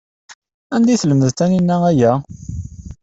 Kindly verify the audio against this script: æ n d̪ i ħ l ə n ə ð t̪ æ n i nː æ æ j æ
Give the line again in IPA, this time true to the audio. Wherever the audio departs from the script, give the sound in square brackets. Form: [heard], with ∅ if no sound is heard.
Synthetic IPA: æ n d̪ i [θ] l ə [m] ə ð t̪ æ n i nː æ æ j æ